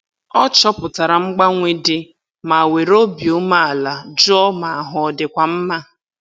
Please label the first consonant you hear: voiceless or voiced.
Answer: voiceless